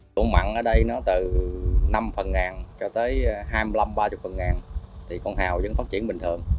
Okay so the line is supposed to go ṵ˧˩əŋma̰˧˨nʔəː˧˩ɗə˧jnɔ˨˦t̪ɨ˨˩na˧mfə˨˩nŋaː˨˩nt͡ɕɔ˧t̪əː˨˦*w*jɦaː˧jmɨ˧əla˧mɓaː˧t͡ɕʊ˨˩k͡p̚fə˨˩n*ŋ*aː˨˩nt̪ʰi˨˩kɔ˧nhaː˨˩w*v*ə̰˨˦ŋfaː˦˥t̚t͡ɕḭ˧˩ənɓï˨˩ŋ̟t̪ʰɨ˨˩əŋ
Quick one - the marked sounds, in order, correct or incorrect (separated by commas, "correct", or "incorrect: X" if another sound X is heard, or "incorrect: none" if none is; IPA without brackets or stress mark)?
incorrect: none, correct, incorrect: z